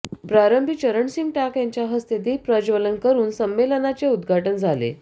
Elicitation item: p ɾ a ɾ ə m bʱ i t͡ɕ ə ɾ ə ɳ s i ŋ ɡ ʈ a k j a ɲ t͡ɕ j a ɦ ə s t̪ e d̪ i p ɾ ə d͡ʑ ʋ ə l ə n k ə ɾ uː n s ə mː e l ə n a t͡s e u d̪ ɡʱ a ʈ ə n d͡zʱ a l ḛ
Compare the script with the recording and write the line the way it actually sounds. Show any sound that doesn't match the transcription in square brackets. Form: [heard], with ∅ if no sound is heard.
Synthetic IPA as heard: p ɾ a ɾ ə m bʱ i t͡ɕ ə ɾ ə ɳ s i ŋ ɡ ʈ a k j a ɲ t͡ɕ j a ɦ ə s t̪ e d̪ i p ɾ ə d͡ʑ ʋ ə l ə n k ə ɾ uː n s ə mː e l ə n a t͡s e u d̪ ɡʱ a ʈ ə n d͡zʱ a l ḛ